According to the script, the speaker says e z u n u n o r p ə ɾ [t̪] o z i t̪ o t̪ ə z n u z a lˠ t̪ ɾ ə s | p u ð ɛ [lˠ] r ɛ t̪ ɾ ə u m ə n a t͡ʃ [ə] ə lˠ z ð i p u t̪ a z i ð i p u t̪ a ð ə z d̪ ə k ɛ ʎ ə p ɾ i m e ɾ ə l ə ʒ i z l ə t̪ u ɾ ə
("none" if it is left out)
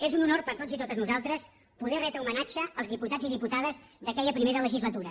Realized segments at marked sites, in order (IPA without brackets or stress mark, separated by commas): t̪, none, ə